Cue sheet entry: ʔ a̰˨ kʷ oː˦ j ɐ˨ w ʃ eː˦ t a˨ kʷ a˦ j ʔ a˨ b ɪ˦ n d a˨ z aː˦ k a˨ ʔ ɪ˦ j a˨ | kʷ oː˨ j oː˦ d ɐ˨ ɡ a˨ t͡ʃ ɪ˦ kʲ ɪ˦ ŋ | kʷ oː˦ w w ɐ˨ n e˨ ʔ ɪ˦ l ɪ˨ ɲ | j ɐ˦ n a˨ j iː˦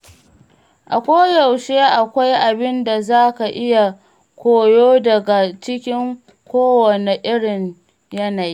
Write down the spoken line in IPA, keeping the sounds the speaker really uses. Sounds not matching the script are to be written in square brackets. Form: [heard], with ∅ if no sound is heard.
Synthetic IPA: ʔ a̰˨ kʷ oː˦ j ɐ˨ w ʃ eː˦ [ʔ] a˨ kʷ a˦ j ʔ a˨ b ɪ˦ n d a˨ z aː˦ k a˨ ʔ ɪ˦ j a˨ | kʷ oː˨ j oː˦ d ɐ˨ ɡ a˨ t͡ʃ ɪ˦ kʲ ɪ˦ ŋ | kʷ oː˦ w w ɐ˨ n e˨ ʔ ɪ˦ [ɽ] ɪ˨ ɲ | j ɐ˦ n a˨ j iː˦

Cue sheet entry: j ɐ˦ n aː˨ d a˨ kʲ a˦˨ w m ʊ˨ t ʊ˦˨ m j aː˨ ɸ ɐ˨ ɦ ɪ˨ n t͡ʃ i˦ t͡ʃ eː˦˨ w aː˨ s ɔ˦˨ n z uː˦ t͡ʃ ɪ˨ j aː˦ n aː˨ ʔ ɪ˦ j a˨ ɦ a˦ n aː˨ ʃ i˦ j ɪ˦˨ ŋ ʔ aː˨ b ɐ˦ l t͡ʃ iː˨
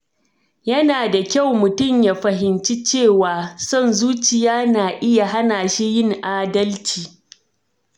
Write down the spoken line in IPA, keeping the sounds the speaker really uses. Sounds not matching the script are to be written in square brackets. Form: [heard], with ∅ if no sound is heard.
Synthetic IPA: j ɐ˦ n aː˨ d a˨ kʲ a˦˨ w m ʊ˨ t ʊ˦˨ m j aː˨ ɸ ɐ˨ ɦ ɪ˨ n t͡ʃ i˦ t͡ʃ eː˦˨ w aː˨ s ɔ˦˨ n z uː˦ t͡ʃ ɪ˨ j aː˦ n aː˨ ʔ ɪ˦ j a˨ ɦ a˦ n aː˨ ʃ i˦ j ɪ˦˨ ŋ ʔ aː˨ [d] ɐ˦ l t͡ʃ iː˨

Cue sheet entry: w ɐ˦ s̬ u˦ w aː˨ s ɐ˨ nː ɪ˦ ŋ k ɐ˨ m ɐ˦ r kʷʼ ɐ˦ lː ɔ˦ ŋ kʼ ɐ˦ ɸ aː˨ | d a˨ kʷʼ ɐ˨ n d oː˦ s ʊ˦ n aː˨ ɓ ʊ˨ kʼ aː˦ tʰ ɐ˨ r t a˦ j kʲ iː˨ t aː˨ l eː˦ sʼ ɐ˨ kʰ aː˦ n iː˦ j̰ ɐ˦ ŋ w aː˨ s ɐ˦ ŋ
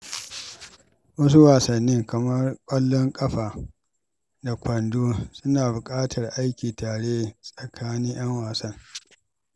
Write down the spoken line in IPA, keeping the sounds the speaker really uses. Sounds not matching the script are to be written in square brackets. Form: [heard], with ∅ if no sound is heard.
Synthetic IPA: w ɐ˦ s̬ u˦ w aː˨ s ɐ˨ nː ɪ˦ ŋ k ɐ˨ m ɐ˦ r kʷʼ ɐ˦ lː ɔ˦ ŋ kʼ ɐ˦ ɸ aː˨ | d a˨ [kʷ] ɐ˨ n d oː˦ s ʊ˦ n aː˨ [b] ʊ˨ kʼ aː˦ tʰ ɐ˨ r [ʔ] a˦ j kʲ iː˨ t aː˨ [ɽ] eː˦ sʼ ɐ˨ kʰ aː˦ n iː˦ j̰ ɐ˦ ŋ w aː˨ s ɐ˦ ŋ

